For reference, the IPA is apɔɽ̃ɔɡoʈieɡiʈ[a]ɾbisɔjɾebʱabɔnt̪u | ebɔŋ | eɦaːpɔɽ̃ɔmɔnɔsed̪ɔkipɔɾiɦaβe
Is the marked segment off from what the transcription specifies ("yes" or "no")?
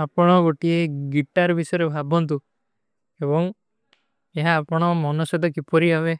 no